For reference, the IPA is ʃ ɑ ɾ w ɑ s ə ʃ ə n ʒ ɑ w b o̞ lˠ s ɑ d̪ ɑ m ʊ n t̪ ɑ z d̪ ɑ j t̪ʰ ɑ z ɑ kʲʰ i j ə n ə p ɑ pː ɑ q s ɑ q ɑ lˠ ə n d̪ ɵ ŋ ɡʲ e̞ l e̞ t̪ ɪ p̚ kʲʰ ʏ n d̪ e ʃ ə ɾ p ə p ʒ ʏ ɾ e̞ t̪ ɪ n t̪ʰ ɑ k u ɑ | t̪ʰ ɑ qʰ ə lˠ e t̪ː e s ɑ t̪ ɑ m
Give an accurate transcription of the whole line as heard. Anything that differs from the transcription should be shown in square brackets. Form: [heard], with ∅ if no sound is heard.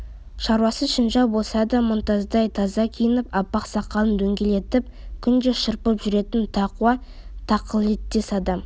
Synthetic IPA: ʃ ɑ ɾ w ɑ s ə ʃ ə n ʒ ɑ w b o̞ lˠ s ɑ d̪ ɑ m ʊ n t̪ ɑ z d̪ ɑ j t̪ʰ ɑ z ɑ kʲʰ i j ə n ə p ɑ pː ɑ q s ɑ q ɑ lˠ ə n d̪ ɵ ŋ ɡʲ e̞ l e̞ t̪ ɪ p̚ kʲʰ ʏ n d̪ e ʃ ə ɾ p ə p ʒ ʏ ɾ e̞ t̪ ɪ n t̪ʰ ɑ [q] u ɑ | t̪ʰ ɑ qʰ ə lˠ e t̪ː e s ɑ [d̪] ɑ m

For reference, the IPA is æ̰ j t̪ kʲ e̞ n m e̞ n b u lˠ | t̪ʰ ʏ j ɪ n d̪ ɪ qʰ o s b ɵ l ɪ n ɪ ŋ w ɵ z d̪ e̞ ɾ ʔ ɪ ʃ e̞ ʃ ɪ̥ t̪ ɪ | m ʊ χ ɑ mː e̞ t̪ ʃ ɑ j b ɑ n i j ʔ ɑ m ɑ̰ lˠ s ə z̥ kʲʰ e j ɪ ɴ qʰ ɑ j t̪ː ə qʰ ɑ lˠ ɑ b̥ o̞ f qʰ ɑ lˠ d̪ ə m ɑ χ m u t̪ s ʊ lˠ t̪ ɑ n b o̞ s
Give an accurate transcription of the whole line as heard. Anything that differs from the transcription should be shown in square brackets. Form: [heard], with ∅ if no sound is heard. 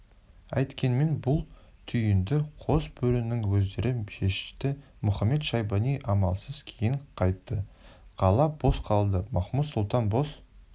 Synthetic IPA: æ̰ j t̪ kʲ e̞ n m e̞ n b [ʊ] lˠ | t̪ʰ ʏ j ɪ n d̪ ɪ qʰ o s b ɵ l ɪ n ɪ ŋ w ɵ z d̪ e̞ ɾ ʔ ɪ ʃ e̞ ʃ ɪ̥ t̪ ɪ | m ʊ χ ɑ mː e̞ t̪ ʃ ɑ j b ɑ n i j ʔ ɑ m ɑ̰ lˠ s ə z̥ kʲʰ e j ɪ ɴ qʰ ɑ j t̪ː ə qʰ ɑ lˠ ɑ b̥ o̞ [s] qʰ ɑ lˠ d̪ ə m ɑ χ m u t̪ s ʊ lˠ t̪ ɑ n b o̞ s

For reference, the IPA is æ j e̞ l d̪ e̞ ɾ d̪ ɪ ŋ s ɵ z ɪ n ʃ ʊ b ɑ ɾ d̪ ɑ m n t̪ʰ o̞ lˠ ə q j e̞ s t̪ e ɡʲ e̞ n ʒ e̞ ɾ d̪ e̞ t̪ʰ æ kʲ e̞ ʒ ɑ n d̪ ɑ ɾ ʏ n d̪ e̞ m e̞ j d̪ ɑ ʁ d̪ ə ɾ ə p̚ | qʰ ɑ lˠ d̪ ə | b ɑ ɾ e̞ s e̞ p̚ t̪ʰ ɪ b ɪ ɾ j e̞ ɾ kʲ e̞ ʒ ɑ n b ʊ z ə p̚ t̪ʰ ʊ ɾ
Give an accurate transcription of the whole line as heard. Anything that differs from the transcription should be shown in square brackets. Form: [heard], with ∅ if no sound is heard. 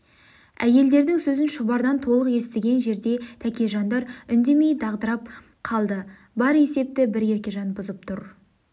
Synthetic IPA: æ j e̞ l d̪ e̞ ɾ d̪ ɪ ŋ s ɵ z ɪ n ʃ ʊ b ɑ ɾ d̪ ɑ [∅] n t̪ʰ o̞ lˠ ə q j e̞ s t̪ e ɡʲ e̞ n ʒ e̞ ɾ d̪ e̞ t̪ʰ æ kʲ e̞ ʒ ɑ n d̪ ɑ ɾ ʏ n d̪ e̞ m e̞ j d̪ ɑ ʁ d̪ ə ɾ [ɑ] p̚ | qʰ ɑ lˠ d̪ ə | b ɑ ɾ e̞ s e̞ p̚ [t̪] ɪ b ɪ ɾ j e̞ ɾ kʲ e̞ ʒ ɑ n b ʊ z ə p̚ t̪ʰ ʊ ɾ

